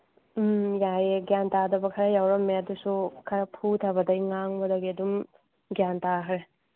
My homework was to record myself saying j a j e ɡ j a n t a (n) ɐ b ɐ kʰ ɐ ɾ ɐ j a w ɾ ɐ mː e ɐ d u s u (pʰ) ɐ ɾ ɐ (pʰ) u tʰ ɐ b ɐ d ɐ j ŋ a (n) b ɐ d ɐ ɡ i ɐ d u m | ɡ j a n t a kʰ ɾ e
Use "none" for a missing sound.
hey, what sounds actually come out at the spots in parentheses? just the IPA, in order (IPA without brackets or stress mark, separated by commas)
d, kʰ, pʰ, ŋ